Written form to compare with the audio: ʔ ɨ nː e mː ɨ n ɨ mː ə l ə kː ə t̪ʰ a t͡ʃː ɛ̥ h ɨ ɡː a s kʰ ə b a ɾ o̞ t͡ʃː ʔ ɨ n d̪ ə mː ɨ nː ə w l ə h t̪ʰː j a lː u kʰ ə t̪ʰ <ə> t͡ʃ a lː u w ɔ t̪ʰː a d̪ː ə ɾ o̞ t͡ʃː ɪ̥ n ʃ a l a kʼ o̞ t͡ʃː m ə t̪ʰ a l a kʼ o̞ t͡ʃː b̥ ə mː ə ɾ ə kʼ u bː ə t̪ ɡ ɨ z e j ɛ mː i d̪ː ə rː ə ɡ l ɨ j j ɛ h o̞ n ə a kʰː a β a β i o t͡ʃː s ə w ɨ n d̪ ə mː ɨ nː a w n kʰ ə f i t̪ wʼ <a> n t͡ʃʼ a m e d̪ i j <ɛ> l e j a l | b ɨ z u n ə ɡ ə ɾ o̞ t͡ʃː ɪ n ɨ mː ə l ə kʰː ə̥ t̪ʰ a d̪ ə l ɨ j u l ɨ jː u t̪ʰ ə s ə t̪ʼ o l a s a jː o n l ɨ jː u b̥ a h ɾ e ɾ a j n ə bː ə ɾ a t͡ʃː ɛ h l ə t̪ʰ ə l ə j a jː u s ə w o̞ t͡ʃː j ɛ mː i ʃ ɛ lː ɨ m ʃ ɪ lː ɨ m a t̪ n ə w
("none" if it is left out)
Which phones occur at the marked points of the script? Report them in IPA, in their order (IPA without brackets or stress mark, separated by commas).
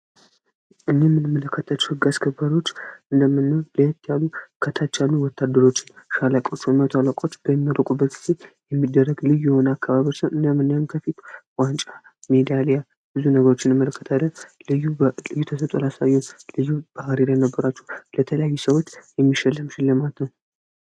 a, a, a